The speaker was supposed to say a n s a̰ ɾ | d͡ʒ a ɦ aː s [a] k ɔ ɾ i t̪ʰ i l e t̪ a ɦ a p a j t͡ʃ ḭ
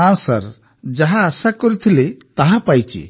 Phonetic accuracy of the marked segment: correct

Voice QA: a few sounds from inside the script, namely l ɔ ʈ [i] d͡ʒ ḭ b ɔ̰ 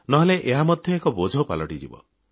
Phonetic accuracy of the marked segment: correct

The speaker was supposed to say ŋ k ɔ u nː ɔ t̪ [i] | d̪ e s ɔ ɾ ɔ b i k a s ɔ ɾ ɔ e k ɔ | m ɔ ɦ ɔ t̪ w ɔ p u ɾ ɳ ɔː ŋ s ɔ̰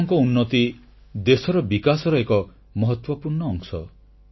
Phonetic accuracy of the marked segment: correct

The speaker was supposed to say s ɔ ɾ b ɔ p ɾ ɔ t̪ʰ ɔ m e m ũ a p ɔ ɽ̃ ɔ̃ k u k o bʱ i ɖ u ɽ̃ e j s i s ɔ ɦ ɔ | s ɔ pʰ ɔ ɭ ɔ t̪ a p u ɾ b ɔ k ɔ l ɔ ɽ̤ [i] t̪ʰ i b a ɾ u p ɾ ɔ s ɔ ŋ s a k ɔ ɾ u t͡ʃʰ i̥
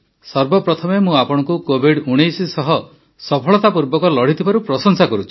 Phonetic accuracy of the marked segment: correct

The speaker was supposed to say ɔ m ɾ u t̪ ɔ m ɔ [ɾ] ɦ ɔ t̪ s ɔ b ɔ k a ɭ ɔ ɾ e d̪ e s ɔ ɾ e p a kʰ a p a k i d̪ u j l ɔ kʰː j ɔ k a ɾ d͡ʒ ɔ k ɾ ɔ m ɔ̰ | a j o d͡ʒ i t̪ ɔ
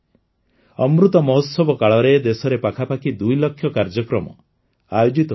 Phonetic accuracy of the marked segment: incorrect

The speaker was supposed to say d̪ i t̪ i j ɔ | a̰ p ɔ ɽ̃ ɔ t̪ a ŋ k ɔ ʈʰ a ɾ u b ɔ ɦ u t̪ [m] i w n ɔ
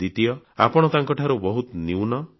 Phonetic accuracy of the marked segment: incorrect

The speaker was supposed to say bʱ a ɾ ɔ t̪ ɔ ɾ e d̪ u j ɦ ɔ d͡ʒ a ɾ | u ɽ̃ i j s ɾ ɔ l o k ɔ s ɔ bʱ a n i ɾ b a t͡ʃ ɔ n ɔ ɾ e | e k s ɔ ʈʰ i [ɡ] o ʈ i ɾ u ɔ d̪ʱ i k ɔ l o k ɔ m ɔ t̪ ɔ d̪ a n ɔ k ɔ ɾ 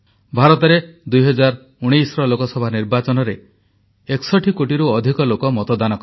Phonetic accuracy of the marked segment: incorrect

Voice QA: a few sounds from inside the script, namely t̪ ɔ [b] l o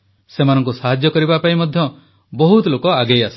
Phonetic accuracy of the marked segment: incorrect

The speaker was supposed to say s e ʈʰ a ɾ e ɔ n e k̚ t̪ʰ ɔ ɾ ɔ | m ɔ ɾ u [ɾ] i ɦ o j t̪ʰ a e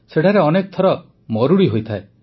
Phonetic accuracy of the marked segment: incorrect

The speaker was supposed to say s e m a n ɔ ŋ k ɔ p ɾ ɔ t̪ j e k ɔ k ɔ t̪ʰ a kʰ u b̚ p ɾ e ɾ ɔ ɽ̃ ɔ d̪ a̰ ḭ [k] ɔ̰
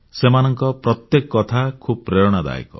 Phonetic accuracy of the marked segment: correct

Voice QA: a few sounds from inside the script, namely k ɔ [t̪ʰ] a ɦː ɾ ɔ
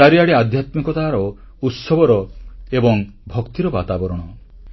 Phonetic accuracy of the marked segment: incorrect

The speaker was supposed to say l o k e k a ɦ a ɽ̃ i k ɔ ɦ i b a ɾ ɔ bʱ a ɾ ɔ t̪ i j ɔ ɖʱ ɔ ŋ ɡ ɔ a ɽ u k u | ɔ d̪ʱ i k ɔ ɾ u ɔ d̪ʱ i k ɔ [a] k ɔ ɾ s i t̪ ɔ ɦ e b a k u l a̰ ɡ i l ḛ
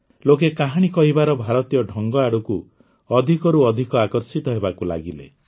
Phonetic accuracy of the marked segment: correct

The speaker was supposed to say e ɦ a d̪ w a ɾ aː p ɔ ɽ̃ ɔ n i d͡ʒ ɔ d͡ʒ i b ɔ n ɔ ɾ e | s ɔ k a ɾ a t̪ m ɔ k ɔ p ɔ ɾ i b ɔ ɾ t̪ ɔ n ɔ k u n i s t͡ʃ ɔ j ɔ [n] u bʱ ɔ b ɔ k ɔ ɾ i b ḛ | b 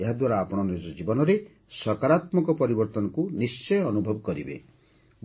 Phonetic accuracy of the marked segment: correct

